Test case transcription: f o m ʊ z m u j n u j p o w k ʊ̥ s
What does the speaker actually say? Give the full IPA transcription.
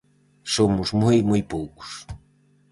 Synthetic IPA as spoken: s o m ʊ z m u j m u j p o w k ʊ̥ s

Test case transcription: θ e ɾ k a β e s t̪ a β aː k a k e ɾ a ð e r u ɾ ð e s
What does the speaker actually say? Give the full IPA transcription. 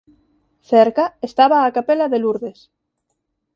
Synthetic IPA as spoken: θ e ɾ k a e s t̪ a β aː k a p e l a ð e l u ɾ ð e s

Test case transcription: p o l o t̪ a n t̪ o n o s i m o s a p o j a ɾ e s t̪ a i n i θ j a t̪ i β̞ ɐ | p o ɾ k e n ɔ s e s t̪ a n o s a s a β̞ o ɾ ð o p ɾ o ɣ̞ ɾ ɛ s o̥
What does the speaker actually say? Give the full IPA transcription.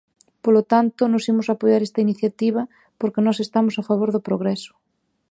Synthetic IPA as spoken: p o l o t̪ a n t̪ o n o s i m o s a p o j a ɾ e s t̪ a i n i θ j a t̪ i β̞ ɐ | p o ɾ k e n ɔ s e s t̪ a m o s a f a β̞ o ɾ ð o p ɾ o ɣ̞ ɾ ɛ s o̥

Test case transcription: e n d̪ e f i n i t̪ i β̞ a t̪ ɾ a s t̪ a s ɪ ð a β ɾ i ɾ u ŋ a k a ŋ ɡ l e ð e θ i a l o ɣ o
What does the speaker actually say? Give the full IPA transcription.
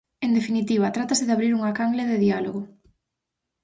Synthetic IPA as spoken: e n d̪ e f i n i t̪ i β̞ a t̪ ɾ a t̪ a s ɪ ð a β ɾ i ɾ u ŋ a k a ŋ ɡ l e ð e ð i a l o ɣ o

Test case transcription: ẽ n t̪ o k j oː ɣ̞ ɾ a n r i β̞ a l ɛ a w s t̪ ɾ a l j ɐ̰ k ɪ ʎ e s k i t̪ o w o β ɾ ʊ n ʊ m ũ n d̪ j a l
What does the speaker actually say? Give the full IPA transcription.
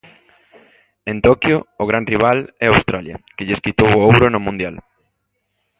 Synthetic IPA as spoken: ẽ n t̪ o k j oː ɣ̞ ɾ a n r i β̞ a l ɛ a w s t̪ ɾ a l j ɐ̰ k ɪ ʎ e s k i t̪ o w o w ɾ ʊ n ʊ m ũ n d̪ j a l

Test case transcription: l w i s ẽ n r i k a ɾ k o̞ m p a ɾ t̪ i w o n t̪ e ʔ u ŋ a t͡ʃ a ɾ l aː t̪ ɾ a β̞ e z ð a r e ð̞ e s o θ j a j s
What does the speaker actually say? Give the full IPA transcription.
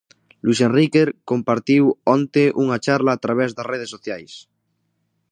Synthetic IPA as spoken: l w i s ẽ n r i k e ɾ k o̞ m p a ɾ t̪ i w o n t̪ e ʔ u ŋ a t͡ʃ a ɾ l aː t̪ ɾ a β̞ e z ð a r e ð̞ e s o θ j a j s

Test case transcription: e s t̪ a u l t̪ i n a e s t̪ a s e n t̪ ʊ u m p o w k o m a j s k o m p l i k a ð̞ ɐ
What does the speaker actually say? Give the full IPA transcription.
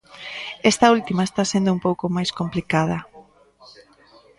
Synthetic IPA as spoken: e s t̪ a u l t̪ i m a e s t̪ a s e n d̪ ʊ u m p o w k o m a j s k o m p l i k a ð̞ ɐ

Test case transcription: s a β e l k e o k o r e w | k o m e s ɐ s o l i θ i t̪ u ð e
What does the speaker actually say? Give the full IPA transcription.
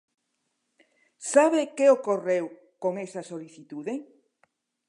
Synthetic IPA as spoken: s a β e k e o k o r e w | k o ŋ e s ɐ s o l i θ i t̪ u ð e

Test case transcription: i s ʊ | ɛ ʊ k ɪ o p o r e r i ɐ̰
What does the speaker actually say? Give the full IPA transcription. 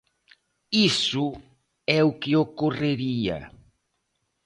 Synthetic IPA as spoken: i s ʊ | ɛ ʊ k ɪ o k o r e ɾ i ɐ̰

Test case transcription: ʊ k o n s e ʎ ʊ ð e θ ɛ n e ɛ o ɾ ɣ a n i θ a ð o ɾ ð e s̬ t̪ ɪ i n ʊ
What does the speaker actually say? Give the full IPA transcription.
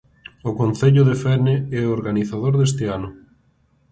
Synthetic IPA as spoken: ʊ k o n θ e ʎ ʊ ð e f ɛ n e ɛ o ɾ ɣ a n i θ a ð o ɾ ð e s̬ t̪ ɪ a n ʊ

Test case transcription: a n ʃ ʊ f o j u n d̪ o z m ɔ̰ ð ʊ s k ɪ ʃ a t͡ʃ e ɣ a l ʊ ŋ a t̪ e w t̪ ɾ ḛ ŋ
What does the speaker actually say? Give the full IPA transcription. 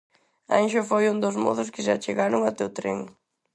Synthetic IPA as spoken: a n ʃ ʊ f o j u n d̪ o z m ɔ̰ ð ʊ s k ɪ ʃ a t͡ʃ e ɣ a ɾ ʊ ŋ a t̪ e w t̪ ɾ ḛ ŋ

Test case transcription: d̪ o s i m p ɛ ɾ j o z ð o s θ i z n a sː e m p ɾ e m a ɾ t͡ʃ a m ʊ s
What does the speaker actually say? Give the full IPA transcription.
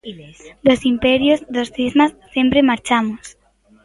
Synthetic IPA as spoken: d̪ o s i m p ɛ ɾ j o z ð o s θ i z m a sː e m p ɾ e m a ɾ t͡ʃ a m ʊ s

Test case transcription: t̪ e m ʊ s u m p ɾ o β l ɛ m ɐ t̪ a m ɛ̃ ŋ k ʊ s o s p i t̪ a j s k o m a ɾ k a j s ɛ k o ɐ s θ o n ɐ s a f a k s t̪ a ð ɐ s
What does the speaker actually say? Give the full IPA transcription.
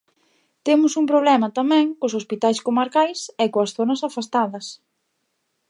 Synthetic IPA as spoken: t̪ e m ʊ s u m p ɾ o β l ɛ m ɐ t̪ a m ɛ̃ ŋ k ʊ s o s p i t̪ a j s k o m a ɾ k a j s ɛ k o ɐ s θ o n ɐ s a f a s t̪ a ð ɐ s

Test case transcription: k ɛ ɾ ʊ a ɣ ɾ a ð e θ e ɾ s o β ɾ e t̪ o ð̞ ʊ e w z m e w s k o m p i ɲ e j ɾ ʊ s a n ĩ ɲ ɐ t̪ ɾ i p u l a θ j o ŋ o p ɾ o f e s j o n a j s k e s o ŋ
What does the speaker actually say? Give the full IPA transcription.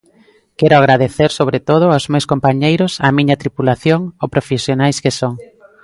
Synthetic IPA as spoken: k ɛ ɾ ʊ a ɣ ɾ a ð e θ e ɾ s o β ɾ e t̪ o ð̞ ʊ a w z m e w s k o m p a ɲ e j ɾ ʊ s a m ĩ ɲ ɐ t̪ ɾ i p u l a θ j o ŋ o p ɾ o f e s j o n a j s k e s o ŋ

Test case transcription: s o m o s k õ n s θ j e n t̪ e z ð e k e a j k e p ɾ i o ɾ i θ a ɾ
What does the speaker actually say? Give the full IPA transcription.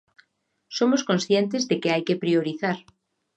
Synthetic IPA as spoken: s o m o s k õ n s θ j e n t̪ e z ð e k e a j k e p ɾ i o ɾ i θ a ɾ

